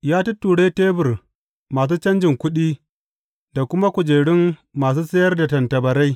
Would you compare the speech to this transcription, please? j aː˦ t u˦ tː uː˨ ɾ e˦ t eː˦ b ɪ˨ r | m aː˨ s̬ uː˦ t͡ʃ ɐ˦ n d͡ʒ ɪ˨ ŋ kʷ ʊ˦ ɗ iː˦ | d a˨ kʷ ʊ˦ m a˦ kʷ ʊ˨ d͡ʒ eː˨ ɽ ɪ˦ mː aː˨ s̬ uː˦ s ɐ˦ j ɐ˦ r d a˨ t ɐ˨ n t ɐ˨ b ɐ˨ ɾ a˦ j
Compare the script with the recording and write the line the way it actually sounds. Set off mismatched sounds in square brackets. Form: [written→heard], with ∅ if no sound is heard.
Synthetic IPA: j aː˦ t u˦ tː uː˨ [ɾ→ɽ] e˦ t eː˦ b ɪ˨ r | m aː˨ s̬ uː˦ t͡ʃ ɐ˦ n d͡ʒ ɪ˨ ŋ kʷ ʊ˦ ɗ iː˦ | d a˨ kʷ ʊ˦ m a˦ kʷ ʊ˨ d͡ʒ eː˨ ɽ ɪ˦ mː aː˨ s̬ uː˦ s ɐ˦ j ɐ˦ r d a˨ t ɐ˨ n t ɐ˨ b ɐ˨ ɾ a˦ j

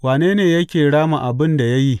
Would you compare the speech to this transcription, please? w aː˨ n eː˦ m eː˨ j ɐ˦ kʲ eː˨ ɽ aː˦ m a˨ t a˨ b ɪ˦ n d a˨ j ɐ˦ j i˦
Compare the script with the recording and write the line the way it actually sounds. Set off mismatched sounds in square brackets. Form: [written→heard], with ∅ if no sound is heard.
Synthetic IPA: w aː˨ n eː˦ [m→n] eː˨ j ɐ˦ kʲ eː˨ ɽ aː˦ m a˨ [t→ʔ] a˨ b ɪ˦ n d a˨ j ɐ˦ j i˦

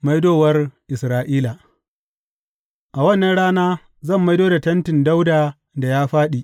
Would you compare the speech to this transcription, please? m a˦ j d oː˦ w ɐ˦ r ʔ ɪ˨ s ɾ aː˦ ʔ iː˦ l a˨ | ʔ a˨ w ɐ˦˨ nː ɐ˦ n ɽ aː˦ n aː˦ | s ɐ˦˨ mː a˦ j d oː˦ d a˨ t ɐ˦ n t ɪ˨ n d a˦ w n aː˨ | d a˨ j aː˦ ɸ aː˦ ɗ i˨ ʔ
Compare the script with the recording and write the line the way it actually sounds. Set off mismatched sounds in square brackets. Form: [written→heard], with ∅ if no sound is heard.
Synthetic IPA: m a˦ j d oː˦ w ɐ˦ r ʔ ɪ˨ s ɾ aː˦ ʔ iː˦ l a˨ | ʔ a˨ w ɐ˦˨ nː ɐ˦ n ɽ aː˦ n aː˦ | [s→z] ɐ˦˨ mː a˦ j d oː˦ d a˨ t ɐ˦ n t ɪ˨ n d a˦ w [n→d] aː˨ | d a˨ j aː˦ ɸ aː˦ ɗ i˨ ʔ

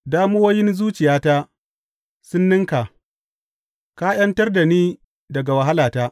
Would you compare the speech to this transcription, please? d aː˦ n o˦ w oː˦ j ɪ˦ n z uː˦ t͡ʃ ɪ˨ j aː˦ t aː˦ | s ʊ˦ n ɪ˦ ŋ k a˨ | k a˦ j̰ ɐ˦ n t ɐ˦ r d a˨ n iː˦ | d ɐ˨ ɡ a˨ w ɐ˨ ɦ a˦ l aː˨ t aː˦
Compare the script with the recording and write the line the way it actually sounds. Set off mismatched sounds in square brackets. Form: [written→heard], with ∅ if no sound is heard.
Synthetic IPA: d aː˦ [n→m] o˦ w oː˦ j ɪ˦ n z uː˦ t͡ʃ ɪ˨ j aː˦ t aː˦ | s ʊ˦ [n→nː] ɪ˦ ŋ k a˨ | k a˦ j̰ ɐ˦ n t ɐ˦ r d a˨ n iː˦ | d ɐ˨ ɡ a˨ w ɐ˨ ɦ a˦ l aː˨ t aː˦

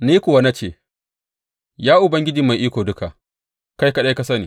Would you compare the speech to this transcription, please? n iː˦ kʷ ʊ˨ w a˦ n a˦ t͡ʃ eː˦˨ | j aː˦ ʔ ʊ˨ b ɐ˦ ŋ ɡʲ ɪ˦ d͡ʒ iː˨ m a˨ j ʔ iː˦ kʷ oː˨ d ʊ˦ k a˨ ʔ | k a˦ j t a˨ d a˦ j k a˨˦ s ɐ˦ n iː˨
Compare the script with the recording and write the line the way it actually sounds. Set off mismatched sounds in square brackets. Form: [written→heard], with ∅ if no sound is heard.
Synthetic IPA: n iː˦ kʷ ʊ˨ w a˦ n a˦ t͡ʃ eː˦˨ | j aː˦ ʔ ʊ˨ b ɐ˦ ŋ ɡʲ ɪ˦ d͡ʒ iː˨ m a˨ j ʔ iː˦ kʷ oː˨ d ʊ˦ k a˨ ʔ | k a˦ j [t→k] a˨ [d→ɗ] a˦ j k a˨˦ s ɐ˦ n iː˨

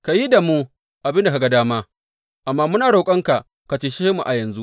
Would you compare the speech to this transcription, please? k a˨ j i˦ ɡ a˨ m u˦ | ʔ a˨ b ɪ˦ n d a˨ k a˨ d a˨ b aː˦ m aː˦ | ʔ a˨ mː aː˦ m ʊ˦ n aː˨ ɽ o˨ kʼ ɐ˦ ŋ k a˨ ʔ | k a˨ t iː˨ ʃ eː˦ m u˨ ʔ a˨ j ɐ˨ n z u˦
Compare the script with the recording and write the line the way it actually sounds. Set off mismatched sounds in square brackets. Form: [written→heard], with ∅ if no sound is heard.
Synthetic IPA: k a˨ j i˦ [ɡ→d] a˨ m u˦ | ʔ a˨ b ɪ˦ n d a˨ k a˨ [d→ɡ] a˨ [b→d] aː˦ m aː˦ | ʔ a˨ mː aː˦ m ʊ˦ n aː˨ ɽ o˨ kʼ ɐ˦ ŋ k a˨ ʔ | k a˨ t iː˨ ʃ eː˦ m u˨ ʔ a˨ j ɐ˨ n z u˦

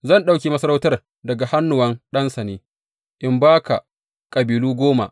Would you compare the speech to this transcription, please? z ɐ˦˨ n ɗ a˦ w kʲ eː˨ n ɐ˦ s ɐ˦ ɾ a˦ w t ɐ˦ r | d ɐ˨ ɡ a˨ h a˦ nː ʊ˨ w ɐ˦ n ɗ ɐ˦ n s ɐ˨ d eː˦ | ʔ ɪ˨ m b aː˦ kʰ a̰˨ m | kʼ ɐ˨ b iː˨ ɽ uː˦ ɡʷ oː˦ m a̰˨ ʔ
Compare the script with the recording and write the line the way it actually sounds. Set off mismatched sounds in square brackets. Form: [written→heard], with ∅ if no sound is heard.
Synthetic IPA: z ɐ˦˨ n ɗ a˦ w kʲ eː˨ [n→m] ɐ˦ s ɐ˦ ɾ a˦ w t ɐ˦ r | d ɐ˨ ɡ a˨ h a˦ nː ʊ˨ w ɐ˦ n ɗ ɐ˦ n s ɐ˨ [d→n] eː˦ | ʔ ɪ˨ m b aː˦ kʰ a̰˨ [m→∅] | kʼ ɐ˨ b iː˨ [ɽ→l] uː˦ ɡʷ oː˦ m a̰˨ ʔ

